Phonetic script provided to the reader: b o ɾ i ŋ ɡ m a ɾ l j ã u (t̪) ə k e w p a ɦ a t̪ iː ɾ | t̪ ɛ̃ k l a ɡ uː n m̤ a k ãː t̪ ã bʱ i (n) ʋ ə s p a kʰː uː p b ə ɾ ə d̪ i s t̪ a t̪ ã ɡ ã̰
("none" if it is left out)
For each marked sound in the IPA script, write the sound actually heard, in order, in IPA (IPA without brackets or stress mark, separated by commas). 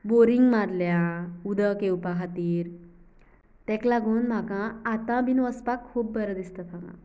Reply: d̪, n